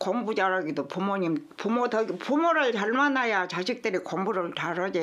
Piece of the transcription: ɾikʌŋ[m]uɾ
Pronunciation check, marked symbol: incorrect: b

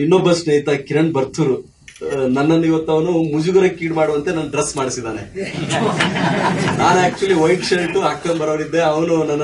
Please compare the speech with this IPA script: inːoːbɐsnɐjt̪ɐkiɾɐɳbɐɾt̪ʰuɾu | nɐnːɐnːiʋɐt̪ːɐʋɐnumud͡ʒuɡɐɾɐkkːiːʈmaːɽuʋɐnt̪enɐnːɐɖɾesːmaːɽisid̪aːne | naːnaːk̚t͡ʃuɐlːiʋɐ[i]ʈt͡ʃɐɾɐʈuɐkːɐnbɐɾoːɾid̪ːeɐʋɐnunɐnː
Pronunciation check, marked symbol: incorrect: j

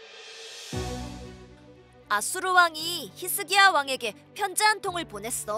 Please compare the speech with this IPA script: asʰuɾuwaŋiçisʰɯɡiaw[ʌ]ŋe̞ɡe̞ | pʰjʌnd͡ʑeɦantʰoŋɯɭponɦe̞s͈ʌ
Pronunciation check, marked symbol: incorrect: a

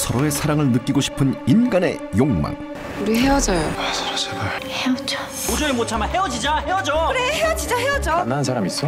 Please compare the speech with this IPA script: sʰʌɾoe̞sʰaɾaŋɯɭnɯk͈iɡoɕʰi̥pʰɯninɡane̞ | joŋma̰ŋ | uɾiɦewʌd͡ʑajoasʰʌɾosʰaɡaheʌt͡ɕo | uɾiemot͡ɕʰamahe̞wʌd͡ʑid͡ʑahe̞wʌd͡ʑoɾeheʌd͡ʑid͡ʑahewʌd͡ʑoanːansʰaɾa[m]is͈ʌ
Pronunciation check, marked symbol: correct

